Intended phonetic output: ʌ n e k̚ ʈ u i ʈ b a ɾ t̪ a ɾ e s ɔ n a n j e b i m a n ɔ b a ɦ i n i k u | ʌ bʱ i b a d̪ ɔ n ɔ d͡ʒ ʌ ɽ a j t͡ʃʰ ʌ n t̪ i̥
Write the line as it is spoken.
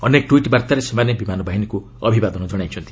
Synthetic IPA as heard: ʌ n e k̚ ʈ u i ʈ b a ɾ t̪ a ɾ e s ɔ m a n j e b i m a n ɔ b a ɦ i n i k u | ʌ bʱ i b a d̪ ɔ n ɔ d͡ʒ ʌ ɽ a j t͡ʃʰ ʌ n t̪ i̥

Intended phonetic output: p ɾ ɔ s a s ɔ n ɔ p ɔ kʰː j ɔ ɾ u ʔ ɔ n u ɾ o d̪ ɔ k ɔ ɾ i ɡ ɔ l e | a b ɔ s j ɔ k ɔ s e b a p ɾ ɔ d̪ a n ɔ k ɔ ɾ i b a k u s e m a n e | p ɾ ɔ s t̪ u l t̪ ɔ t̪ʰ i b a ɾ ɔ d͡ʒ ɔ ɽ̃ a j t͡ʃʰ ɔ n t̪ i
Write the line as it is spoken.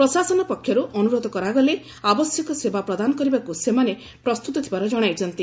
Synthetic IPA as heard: p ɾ ɔ s a s ɔ n ɔ p ɔ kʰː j ɔ ɾ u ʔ ɔ n u ɾ o d̪ ɔ k ɔ ɾ a ɡ ɔ l e | a b ɔ s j ɔ k ɔ s e b a p ɾ ɔ d̪ a n ɔ k ɔ ɾ i b a k u s e m a n e | p ɾ ɔ s t̪ u t̪ ɔ t̪ʰ i b a ɾ ɔ d͡ʒ ɔ ɽ̃ a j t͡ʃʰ ɔ n t̪ i

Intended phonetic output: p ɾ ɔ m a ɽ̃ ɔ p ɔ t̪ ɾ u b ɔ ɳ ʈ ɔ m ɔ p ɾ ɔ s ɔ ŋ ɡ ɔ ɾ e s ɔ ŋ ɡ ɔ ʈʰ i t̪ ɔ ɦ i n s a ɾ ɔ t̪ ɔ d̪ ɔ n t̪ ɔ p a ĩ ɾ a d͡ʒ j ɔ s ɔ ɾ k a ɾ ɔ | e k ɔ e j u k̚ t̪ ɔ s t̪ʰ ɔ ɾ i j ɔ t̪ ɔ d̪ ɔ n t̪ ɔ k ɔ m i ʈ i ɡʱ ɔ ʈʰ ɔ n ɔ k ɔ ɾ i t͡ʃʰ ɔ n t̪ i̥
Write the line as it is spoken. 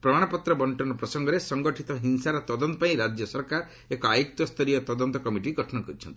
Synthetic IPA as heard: p ɾ ɔ m a ɽ̃ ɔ p ɔ t̪ ɾ ɔ b ɔ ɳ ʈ ɔ n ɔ p ɾ ɔ s ɔ ŋ ɡ ɔ ɾ e s ɔ ŋ ɡ ɔ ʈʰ i t̪ ɔ ɦ i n s a ɾ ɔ t̪ ɔ d̪ ɔ n t̪ ɔ p a ĩ ɾ a d͡ʒ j ɔ s ɔ ɾ k a ɾ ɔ | e k ɔ a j u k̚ t̪ ɔ s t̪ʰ ɔ ɾ i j ɔ t̪ ɔ d̪ ɔ n t̪ ɔ k ɔ m i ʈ i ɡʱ ɔ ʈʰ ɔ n ɔ k ɔ ɾ i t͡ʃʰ ɔ n t̪ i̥

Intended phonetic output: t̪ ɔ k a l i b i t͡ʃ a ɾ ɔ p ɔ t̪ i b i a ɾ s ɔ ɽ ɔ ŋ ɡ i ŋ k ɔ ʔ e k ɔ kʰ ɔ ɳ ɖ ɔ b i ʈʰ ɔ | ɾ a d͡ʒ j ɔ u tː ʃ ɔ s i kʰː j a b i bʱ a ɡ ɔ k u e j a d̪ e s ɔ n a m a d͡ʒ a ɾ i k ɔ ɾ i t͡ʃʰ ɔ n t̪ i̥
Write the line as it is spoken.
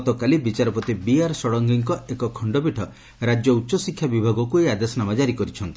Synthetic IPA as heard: t̪ ɔ k a l i b i t͡ʃ a ɾ ɔ p ɔ t̪ i b i a ɾ s ɔ ɽ ɔ ŋ ɡ i ŋ k ɔ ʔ e k ɔ kʰ ɔ ɳ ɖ ɔ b i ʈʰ ɔ | ɾ a d͡ʒ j ɔ u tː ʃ ɔ s i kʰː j a b i bʱ a ɡ ɔ k u e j a d̪ e s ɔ n a m a d͡ʒ a ɾ i k ɔ ɾ i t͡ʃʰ ɔ n t̪ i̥

